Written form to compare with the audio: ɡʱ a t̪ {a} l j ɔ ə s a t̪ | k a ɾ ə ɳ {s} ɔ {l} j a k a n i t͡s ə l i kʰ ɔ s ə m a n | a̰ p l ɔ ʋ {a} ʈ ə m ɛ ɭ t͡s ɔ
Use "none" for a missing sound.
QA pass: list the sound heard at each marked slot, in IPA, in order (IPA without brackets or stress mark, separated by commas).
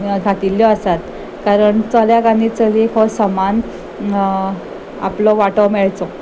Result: i, t͡s, l, a